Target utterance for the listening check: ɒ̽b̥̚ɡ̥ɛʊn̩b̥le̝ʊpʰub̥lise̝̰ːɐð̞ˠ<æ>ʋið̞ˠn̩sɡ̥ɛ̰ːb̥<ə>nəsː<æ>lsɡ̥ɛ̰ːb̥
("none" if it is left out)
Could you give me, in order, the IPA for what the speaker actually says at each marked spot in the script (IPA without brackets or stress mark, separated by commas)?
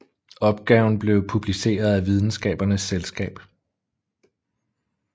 æ, ɐ, e